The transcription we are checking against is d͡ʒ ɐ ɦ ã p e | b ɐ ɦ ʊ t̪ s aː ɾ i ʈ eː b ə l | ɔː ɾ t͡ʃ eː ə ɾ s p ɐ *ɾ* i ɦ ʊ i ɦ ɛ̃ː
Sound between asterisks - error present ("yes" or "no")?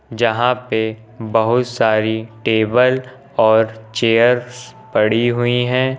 yes